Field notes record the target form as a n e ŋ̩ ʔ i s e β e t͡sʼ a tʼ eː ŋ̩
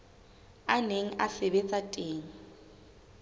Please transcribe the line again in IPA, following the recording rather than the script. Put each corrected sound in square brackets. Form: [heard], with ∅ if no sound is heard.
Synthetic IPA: a n e ŋ̩ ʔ [a] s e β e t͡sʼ a tʼ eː ŋ̩